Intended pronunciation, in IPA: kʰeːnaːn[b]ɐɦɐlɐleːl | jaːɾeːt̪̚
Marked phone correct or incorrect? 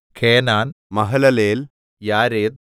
incorrect